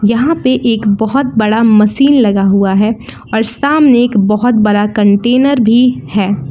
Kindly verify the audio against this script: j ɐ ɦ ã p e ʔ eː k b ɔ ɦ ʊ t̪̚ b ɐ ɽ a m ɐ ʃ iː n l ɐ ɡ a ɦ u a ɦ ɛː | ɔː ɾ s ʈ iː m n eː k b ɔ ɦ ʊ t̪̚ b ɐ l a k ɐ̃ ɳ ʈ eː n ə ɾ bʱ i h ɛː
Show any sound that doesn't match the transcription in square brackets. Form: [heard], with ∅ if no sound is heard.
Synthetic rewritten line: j ɐ ɦ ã p e ʔ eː k b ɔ ɦ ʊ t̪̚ b ɐ ɽ a m ɐ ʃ iː n l ɐ ɡ a ɦ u a ɦ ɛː | ɔː ɾ s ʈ [aː] m n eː k b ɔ ɦ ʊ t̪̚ b ɐ [ɽ] a k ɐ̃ ɳ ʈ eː n ə ɾ bʱ i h ɛː